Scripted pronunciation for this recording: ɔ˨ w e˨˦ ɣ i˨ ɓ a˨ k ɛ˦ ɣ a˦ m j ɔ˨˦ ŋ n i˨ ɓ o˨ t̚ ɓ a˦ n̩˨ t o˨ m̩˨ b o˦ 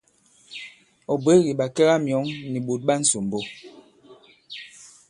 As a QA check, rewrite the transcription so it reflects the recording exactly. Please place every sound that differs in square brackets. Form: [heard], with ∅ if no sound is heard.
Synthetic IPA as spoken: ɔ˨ [b] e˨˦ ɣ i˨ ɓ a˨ k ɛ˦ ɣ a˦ m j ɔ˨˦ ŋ n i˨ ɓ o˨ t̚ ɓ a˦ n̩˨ [s] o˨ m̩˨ b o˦

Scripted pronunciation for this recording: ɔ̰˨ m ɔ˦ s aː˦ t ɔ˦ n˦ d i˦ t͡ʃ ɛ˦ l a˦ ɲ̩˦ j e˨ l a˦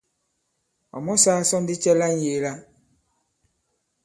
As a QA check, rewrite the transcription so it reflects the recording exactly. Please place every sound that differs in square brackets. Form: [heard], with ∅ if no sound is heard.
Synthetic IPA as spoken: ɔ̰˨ m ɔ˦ s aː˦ [s] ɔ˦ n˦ d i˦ t͡ʃ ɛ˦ l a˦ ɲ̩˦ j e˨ l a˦

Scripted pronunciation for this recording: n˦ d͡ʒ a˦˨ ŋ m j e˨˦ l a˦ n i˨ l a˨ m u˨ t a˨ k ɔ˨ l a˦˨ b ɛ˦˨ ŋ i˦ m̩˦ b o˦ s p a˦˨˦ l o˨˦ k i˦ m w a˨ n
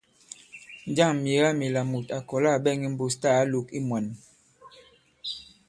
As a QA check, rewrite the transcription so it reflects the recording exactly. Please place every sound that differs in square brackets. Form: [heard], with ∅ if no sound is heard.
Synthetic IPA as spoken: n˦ d͡ʒ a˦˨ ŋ m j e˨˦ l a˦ [m] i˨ l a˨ m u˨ t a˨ k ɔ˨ l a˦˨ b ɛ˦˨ ŋ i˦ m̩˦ b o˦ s [t] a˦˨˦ l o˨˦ k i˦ m w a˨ n

